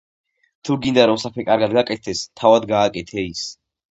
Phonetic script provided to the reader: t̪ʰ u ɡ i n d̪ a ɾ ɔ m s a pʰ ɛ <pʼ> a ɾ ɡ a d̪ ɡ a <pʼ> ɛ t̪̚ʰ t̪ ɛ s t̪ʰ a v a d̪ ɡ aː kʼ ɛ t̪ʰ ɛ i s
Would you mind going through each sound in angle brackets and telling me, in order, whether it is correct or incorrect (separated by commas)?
incorrect, incorrect